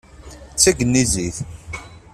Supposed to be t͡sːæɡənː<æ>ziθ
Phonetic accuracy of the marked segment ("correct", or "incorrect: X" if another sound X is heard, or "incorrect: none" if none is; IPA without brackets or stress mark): incorrect: i